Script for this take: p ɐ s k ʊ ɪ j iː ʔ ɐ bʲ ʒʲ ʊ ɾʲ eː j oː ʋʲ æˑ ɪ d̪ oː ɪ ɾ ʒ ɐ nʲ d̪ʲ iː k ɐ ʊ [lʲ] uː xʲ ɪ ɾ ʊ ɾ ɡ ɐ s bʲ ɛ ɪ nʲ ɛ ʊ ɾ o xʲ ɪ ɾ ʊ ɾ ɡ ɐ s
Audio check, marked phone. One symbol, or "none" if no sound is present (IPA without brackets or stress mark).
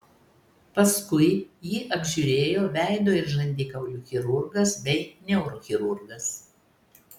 lʲ